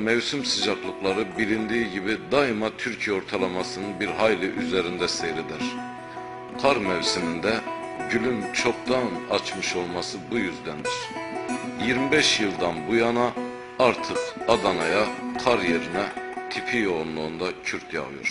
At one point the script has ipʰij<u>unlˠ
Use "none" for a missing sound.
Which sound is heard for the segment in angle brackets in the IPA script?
o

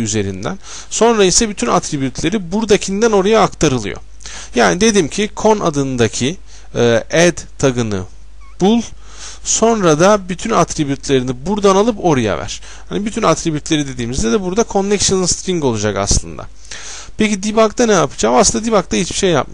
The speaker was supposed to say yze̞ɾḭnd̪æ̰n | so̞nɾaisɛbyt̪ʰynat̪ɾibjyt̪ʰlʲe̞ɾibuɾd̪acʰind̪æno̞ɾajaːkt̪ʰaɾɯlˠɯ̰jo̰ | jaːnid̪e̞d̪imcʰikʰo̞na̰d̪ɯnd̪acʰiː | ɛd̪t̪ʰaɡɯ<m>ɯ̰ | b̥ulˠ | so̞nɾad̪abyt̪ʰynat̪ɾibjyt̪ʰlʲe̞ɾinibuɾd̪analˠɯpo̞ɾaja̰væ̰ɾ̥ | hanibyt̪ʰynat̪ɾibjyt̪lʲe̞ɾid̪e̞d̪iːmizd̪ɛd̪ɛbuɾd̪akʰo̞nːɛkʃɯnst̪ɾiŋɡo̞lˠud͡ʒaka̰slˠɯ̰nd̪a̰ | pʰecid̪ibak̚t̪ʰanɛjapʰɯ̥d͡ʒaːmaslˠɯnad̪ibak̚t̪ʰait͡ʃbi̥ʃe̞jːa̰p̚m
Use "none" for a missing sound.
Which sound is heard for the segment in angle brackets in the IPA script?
n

